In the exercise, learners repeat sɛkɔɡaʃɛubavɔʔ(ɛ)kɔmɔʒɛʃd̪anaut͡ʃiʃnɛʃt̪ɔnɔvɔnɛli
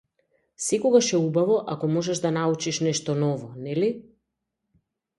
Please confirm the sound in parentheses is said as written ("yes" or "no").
no